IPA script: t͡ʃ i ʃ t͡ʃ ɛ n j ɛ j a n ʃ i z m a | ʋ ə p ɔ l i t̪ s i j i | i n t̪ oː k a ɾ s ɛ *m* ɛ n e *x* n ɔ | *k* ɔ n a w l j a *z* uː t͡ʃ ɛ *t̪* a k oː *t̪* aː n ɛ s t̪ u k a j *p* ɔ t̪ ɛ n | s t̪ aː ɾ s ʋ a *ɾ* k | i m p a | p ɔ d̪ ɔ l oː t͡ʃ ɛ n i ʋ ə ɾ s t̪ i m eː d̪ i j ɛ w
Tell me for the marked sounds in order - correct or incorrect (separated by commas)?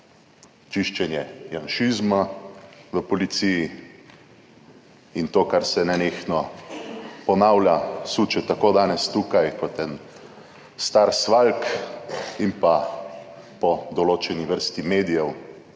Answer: incorrect, correct, incorrect, incorrect, correct, incorrect, incorrect, incorrect